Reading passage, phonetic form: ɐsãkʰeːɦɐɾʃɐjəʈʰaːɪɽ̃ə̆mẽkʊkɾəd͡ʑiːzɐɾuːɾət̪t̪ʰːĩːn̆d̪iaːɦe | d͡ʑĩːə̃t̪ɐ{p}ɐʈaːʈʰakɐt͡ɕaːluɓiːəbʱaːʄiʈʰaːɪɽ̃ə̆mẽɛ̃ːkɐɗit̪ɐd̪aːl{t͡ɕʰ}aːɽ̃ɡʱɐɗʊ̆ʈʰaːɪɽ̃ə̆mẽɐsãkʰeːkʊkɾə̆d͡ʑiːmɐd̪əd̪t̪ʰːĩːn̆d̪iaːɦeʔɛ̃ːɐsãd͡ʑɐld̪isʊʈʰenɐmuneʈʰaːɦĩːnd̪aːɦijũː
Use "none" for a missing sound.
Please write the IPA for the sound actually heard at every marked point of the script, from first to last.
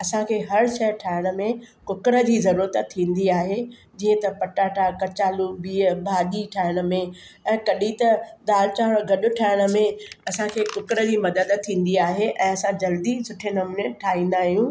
p, t͡ɕ

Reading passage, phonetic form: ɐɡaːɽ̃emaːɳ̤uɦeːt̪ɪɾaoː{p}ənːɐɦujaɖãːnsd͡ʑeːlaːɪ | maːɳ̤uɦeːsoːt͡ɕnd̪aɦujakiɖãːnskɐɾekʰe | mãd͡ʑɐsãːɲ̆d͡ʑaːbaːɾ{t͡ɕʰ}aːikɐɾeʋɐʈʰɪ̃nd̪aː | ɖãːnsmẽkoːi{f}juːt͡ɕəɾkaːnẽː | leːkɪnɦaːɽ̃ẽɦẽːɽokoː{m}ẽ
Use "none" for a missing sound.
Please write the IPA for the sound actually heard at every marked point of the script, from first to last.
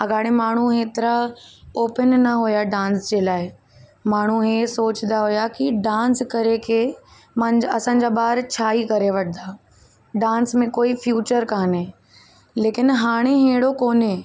p, t͡ɕʰ, f, n

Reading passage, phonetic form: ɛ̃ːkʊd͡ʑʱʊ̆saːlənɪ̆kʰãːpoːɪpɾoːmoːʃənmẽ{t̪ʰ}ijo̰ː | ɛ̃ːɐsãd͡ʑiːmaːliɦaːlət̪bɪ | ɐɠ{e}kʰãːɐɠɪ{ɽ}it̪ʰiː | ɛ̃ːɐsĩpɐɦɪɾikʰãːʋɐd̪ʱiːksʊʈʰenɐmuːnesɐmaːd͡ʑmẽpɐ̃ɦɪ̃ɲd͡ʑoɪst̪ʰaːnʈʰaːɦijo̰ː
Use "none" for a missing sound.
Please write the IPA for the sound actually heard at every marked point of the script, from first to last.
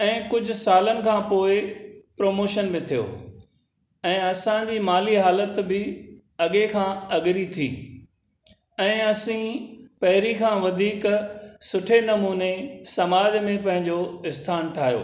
t̪ʰ, e, ɾ

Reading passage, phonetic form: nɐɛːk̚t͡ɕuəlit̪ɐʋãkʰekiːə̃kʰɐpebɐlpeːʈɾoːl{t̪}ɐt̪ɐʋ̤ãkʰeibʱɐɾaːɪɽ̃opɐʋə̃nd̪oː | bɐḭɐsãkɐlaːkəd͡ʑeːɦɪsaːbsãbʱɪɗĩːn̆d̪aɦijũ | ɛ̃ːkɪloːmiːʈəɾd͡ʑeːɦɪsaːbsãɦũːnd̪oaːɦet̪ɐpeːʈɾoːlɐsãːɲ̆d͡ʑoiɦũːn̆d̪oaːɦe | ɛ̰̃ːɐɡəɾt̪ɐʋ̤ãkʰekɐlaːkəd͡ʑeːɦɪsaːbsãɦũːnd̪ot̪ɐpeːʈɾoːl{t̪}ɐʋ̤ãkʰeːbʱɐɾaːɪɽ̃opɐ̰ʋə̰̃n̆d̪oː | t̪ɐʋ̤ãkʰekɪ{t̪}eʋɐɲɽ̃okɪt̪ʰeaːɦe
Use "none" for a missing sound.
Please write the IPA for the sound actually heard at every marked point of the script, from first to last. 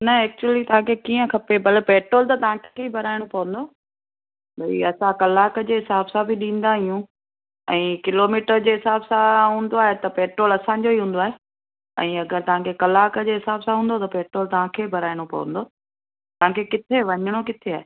t̪, t̪, t̪ʰ

